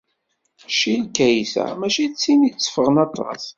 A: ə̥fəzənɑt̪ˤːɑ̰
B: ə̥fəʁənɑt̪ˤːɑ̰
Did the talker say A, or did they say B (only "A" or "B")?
B